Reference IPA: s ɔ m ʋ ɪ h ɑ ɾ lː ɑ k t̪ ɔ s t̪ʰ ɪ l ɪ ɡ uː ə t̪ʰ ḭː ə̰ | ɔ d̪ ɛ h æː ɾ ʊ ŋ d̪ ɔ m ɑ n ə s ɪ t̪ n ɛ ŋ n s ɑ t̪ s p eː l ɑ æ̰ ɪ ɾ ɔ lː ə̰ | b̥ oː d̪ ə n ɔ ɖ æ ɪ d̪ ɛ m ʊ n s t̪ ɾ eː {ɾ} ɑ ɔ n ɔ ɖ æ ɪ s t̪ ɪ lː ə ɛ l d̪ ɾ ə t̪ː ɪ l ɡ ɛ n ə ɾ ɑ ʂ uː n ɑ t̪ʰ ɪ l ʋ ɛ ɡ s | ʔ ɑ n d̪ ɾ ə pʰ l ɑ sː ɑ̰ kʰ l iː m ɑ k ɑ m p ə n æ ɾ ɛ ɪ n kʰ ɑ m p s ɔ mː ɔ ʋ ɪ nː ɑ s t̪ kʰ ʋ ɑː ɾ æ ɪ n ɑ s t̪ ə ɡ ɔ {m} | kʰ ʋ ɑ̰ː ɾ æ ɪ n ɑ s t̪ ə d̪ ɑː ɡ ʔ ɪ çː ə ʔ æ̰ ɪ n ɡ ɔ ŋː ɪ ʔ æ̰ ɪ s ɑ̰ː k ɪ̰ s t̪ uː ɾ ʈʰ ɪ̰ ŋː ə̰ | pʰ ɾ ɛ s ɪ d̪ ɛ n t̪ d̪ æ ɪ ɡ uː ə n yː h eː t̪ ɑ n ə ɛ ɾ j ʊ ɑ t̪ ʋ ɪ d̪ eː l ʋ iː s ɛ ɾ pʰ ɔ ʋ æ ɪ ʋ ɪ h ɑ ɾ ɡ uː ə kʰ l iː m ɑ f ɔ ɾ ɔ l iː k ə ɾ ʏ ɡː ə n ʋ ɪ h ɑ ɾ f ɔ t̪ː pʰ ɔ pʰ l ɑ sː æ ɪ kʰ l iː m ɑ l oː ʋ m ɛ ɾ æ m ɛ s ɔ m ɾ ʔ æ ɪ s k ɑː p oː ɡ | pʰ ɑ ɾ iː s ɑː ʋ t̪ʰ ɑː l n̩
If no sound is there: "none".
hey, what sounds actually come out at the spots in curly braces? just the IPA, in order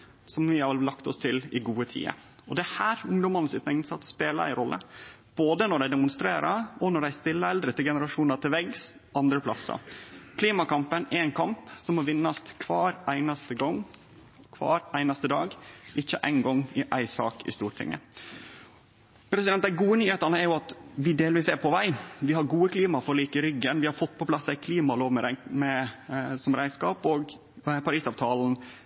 ɾ, ŋ

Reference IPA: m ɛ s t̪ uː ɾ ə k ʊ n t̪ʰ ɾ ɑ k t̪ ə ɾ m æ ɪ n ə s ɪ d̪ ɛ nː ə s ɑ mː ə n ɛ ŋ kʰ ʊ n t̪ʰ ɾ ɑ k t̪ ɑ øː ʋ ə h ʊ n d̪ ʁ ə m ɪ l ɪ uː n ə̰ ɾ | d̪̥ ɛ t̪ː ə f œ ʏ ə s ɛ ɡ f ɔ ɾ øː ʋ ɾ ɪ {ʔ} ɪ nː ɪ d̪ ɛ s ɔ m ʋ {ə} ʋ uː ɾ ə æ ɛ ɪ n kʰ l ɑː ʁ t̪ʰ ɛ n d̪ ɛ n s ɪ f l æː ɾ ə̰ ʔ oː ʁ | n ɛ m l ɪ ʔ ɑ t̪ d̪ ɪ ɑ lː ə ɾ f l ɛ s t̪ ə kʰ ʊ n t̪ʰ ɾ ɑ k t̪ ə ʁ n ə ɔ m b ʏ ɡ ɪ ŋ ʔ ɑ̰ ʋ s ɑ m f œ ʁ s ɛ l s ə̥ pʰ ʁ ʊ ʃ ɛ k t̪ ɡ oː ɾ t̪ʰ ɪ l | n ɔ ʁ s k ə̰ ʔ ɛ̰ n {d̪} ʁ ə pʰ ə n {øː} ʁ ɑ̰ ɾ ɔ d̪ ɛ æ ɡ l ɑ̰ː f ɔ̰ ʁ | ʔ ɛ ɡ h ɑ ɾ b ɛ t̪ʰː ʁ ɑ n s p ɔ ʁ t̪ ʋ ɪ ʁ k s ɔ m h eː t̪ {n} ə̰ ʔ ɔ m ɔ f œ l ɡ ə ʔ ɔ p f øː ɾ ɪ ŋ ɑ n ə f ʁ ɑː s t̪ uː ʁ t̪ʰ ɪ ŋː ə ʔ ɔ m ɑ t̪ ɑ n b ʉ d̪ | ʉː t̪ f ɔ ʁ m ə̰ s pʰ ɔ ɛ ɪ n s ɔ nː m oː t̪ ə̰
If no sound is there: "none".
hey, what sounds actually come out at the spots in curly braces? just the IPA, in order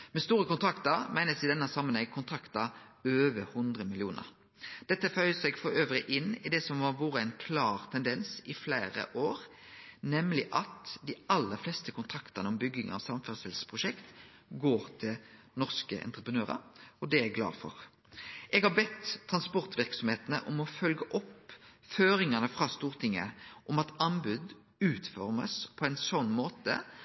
ʔ, ɑ, t̪, øː, n

